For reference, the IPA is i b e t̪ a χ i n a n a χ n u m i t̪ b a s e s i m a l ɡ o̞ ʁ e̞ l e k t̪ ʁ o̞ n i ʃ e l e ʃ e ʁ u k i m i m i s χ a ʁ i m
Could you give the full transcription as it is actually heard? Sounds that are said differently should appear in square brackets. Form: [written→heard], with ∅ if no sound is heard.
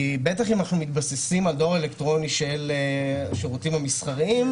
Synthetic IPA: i b e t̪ a χ i [n→m] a n a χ n u m i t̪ b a s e s i m a l [ɡ→d] o̞ ʁ e̞ l e k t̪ ʁ o̞ n i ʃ e l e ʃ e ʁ u [k→t] i m [i→a] m i s χ a ʁ i m